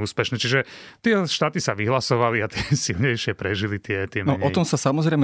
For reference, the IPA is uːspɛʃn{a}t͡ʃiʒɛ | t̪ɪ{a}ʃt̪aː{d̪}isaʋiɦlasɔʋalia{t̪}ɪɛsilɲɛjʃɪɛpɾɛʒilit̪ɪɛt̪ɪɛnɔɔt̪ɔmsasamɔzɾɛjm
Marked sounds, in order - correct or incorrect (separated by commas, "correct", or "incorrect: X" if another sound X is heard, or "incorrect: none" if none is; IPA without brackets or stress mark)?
incorrect: ɛ, incorrect: ɛ, incorrect: t̪, correct